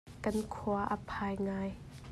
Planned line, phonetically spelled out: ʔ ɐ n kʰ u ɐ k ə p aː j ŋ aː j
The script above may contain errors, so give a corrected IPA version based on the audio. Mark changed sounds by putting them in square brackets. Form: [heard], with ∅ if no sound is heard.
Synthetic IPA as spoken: [k] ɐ n kʰ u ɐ [ʔ] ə [pʰ] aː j ŋ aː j